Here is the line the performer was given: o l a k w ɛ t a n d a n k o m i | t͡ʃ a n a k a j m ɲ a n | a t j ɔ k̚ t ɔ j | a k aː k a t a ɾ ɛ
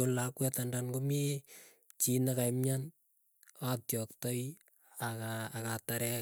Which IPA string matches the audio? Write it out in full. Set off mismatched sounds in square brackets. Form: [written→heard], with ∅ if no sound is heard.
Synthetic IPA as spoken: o l a k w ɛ t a n d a n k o m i | t͡ʃ [a→i] n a k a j m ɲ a n | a t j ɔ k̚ t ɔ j | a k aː k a t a ɾ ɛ